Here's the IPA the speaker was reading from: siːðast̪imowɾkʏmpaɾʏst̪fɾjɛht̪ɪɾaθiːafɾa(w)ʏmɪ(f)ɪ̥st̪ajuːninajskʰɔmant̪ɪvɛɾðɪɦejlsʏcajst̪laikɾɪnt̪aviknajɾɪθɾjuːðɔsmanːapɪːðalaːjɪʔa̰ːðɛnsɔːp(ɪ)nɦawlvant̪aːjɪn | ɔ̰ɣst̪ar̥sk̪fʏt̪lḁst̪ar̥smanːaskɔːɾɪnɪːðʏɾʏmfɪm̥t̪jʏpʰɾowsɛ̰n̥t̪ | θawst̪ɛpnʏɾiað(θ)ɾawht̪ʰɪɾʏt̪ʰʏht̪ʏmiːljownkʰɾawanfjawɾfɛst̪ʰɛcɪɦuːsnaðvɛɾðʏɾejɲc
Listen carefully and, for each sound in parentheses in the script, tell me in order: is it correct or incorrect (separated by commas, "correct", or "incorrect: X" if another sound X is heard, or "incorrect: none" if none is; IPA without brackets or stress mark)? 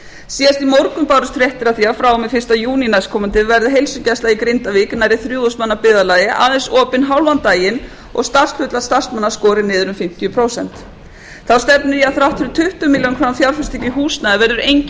correct, correct, correct, correct